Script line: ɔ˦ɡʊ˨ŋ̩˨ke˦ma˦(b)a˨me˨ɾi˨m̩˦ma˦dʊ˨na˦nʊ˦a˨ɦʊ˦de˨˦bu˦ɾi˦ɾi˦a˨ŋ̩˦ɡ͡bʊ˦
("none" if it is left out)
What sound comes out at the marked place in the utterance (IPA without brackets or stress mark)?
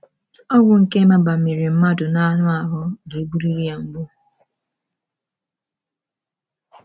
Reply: b